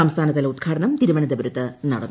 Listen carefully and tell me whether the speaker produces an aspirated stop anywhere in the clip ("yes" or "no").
yes